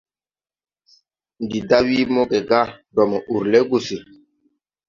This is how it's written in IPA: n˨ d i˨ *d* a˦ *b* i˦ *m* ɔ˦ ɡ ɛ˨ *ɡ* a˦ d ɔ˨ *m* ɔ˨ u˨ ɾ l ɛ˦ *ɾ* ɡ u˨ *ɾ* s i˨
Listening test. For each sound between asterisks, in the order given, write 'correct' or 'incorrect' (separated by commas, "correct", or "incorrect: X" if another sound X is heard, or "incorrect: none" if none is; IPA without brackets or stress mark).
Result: correct, incorrect: w, correct, correct, correct, incorrect: none, incorrect: none